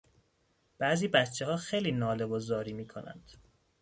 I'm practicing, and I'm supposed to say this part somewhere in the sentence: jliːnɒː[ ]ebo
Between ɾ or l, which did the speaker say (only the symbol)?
l